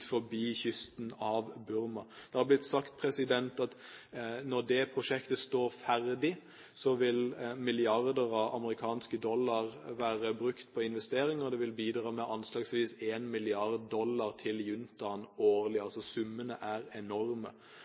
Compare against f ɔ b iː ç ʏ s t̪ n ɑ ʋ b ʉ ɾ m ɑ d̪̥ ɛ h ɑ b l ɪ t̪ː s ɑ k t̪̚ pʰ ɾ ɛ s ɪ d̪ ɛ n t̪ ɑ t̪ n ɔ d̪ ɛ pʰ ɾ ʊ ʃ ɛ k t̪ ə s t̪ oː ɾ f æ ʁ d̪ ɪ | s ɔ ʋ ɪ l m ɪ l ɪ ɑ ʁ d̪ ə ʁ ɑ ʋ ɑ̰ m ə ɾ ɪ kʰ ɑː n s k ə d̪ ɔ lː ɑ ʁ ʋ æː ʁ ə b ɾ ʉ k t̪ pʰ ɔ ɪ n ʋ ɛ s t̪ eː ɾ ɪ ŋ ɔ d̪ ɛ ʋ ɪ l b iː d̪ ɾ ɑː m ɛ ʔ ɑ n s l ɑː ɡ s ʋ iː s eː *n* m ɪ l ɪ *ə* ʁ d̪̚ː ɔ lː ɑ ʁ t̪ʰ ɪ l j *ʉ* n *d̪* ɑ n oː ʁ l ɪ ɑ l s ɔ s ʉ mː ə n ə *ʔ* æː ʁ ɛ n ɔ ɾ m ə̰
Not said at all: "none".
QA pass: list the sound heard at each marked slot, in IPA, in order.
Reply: n, ɑ, ʉ, t̪, ʔ

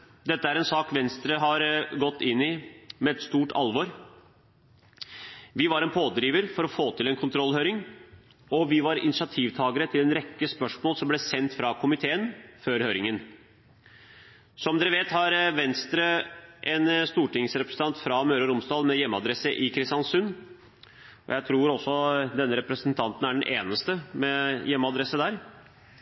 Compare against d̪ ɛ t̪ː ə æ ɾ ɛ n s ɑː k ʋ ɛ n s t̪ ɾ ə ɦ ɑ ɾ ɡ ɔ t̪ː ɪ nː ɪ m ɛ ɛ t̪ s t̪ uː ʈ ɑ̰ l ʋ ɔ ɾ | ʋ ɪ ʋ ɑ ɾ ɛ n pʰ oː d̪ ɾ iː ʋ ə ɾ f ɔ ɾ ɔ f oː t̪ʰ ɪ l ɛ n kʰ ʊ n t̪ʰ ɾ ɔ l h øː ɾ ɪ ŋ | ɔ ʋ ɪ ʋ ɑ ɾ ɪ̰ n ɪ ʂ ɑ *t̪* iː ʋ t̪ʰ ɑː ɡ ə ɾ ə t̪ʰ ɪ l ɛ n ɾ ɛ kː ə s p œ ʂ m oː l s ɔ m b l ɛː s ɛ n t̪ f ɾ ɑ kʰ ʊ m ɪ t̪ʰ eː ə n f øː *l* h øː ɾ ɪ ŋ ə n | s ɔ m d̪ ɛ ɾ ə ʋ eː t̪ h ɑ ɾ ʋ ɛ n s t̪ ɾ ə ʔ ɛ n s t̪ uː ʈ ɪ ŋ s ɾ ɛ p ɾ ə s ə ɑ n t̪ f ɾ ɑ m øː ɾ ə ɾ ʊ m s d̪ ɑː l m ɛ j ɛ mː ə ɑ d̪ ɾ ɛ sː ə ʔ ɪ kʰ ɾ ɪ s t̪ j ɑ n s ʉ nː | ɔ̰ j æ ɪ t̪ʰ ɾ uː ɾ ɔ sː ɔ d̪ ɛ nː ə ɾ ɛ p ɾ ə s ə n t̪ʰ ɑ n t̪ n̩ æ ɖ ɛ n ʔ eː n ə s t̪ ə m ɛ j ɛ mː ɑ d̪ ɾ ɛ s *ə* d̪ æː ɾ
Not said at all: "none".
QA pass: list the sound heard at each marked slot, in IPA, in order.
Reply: t̪ʰ, ɾ, ə

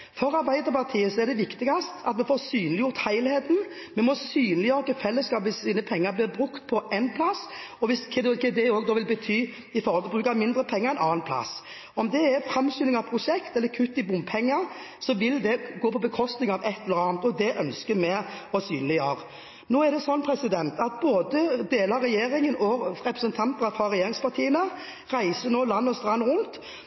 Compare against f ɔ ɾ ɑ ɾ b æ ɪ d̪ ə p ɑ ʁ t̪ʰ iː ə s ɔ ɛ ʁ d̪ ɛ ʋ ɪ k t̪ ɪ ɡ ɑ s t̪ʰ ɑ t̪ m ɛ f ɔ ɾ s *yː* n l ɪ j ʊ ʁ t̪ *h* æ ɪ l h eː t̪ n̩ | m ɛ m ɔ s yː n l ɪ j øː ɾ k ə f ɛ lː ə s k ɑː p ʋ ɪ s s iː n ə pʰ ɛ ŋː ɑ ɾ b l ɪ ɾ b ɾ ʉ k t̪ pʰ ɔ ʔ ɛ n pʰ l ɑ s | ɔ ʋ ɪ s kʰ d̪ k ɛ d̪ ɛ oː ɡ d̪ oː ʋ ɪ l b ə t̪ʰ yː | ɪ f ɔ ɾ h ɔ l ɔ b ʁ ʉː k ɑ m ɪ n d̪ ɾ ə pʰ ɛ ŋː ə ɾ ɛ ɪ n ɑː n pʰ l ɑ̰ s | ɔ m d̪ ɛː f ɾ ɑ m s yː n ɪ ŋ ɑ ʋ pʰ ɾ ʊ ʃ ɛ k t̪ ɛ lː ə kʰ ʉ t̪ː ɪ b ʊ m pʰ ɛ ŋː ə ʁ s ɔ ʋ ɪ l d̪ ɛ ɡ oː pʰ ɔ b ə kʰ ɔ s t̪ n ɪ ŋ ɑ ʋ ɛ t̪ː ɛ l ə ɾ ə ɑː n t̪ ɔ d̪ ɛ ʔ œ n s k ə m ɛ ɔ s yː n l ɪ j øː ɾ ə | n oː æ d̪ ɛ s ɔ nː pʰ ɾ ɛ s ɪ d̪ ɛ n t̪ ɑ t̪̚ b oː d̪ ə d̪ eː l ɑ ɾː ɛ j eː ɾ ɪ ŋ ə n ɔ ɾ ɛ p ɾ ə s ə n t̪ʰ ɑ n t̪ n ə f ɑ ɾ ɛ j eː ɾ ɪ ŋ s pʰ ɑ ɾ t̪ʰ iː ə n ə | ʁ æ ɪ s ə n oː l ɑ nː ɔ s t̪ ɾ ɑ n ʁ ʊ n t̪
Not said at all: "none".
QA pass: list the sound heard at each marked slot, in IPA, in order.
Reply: yː, h

